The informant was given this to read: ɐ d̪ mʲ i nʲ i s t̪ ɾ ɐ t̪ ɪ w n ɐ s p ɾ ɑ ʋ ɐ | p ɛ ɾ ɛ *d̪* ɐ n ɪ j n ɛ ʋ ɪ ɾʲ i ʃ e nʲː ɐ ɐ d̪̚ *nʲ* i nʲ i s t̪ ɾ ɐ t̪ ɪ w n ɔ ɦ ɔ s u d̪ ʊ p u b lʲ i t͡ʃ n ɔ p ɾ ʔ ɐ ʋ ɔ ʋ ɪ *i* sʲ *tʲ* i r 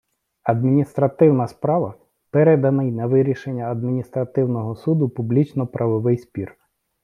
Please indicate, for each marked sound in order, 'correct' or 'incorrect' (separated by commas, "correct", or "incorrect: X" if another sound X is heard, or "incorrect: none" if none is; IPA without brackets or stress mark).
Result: correct, incorrect: mʲ, incorrect: j, incorrect: pʲ